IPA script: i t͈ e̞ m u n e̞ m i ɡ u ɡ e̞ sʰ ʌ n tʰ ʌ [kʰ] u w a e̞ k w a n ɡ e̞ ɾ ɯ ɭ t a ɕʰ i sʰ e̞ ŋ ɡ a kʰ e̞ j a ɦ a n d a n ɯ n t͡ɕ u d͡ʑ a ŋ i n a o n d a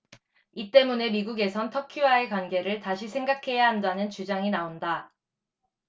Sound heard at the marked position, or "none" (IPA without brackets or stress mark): kʰ